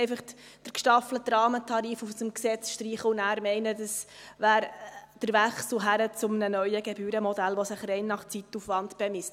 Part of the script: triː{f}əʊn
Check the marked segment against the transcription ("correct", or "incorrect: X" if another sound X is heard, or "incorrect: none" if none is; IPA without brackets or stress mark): incorrect: χ